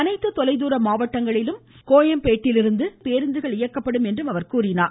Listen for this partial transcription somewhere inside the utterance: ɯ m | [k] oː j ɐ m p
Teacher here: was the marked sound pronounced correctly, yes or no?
yes